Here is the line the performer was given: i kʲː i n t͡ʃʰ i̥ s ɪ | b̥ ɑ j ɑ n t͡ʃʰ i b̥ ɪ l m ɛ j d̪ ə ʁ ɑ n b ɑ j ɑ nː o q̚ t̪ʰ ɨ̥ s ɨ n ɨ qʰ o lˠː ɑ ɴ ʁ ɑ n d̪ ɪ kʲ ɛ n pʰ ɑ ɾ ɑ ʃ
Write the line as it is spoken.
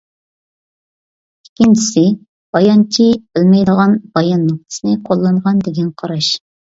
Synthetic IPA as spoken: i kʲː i n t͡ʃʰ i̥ s ɪ | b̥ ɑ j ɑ n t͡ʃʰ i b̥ ɪ l m ɛ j d̪ ə ʁ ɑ n b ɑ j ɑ nː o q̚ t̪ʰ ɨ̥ s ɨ n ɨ qʰ o lˠː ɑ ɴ ʁ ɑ n d̪ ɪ ɡʲ ɛ n qʰ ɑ ɾ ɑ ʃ

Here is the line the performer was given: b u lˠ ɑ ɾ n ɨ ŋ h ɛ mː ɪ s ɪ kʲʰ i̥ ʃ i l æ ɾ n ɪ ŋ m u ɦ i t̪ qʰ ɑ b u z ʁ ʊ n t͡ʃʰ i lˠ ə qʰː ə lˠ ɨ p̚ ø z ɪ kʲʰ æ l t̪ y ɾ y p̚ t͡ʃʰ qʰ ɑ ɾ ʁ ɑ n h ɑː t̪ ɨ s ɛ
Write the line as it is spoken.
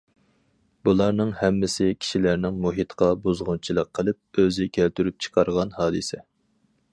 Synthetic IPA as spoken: b u lˠ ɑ ɾ n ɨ ŋ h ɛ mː ɪ s ɪ kʲʰ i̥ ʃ i l æ ɾ n ɪ ŋ m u ɦ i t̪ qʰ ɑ b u z ʁ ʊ n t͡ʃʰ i lˠ ə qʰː ə lˠ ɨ p̚ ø z ɪ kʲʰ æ l t̪ y ɾ y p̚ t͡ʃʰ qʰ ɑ ɾ ʁ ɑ n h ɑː d̪ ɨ s ɛ

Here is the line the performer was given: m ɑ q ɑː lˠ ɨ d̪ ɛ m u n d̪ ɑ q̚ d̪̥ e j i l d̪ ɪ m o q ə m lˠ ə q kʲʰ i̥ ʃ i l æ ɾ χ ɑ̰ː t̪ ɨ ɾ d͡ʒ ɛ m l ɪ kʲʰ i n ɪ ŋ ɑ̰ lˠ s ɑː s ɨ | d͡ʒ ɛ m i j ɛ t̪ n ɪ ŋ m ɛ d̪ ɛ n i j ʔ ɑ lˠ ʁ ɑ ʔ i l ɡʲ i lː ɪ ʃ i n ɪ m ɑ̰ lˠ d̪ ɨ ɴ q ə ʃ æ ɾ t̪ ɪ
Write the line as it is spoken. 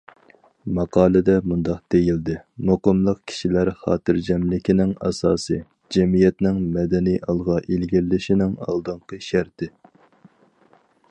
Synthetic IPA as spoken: m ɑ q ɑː lˠ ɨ d̪ ɛ m u n d̪ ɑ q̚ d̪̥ e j i l d̪ ɪ m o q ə m lˠ ə q kʲʰ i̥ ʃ i l æ ɾ χ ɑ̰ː t̪ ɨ ɾ d͡ʒ ɛ m l ɪ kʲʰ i n ɪ ŋ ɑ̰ s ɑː s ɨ | d͡ʒ ɛ m i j ɛ t̪ n ɪ ŋ m ɛ d̪ ɛ n i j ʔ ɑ lˠ ʁ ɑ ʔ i l ɡʲ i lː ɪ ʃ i n ɪ ŋ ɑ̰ lˠ d̪ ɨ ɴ q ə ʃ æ ɾ t̪ ɪ

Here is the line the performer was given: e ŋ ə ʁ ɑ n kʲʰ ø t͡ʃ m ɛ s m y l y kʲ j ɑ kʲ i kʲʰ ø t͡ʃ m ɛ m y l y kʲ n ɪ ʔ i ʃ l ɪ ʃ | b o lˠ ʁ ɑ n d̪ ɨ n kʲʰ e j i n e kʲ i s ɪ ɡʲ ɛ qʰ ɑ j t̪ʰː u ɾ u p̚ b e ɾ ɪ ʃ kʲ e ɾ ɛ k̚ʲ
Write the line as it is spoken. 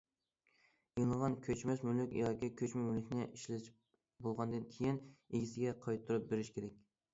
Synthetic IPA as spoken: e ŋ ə ʁ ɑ n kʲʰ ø t͡ʃ m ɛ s m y l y kʲ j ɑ kʲ i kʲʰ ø t͡ʃ m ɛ m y l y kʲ n ɪ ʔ i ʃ l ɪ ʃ | b o lˠ ʁ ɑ n d̪ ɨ n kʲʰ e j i n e ɡʲ i s ɪ ɡʲ ɛ qʰ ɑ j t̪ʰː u ɾ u p̚ b e ɾ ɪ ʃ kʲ e ɾ ɛ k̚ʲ

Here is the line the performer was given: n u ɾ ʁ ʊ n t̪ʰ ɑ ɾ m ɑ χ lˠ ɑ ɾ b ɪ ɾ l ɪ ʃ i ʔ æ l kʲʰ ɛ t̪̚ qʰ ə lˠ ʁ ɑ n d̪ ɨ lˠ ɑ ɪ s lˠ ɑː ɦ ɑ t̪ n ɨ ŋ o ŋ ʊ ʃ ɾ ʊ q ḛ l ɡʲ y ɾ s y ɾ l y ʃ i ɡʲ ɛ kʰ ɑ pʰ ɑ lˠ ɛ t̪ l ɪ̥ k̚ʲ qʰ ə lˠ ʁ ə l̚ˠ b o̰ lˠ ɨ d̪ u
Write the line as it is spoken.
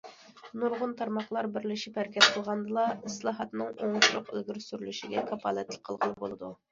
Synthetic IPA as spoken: n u ɾ ʁ ʊ n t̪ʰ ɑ ɾ m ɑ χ lˠ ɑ ɾ b ɪ ɾ l ɪ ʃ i p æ ɾ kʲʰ ɛ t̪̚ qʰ ə lˠ ʁ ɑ n d̪ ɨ lˠ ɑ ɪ s lˠ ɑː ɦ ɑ t̪ n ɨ ŋ o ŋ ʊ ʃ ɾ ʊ q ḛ l ɡʲ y ɾ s y ɾ l y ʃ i ɡʲ ɛ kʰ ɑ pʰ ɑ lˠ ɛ t̪ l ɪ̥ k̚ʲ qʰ ə lˠ ʁ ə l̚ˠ b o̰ lˠ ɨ d̪ u

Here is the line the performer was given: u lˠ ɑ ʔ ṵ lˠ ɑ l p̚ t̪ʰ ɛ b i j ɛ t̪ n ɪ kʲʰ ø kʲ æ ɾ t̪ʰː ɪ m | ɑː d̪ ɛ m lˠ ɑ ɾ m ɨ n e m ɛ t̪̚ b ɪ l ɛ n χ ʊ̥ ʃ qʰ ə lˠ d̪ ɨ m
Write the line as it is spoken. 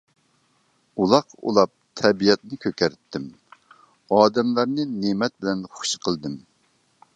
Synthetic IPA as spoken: u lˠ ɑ q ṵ lˠ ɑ p̚ t̪ʰ ɛ b i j ɛ t̪ n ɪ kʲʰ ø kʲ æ ɾ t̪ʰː ɪ m | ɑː d̪ ɛ m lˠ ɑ ɾ n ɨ n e m ɛ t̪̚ b ɪ l ɛ n χ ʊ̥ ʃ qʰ ə lˠ d̪ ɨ m

